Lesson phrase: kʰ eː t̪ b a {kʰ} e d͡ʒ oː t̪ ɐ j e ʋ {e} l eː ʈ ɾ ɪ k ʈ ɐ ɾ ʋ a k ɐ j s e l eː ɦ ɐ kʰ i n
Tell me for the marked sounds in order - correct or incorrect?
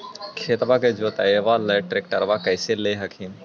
incorrect: k, incorrect: a

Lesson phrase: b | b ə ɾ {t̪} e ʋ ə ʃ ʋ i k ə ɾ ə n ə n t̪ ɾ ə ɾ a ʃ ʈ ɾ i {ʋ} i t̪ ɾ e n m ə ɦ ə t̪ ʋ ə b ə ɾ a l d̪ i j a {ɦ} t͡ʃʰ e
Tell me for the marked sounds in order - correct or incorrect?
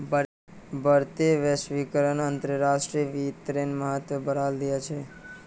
correct, correct, incorrect: none

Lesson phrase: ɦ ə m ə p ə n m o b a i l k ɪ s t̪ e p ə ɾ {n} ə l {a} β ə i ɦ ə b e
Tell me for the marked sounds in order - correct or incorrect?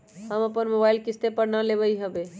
correct, incorrect: e

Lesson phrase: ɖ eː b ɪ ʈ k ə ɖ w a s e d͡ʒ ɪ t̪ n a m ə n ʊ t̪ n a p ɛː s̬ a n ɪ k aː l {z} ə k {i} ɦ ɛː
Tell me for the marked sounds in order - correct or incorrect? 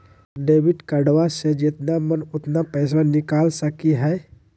incorrect: s, correct

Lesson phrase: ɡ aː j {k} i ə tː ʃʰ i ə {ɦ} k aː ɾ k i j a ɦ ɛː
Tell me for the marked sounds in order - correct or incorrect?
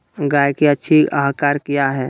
correct, correct

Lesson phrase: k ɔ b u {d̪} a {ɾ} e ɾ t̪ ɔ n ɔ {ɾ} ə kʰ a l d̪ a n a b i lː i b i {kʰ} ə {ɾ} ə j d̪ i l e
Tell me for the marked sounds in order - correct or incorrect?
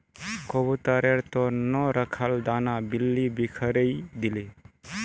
incorrect: t̪, correct, correct, correct, correct

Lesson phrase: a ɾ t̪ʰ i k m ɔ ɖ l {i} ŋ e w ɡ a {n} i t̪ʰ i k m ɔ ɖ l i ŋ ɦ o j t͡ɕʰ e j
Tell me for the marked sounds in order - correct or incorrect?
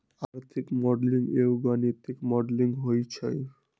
correct, correct

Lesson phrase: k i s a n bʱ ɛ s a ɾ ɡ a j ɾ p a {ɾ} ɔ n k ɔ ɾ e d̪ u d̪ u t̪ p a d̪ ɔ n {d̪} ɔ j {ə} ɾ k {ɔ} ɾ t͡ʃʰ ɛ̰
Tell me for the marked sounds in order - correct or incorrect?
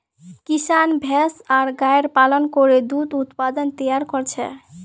incorrect: l, incorrect: t̪, incorrect: a, correct

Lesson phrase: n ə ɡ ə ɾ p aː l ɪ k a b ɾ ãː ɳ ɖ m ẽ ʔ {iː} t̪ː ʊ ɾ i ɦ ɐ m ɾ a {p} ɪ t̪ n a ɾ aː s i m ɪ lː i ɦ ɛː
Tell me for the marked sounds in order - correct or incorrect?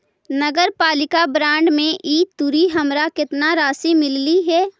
correct, incorrect: k

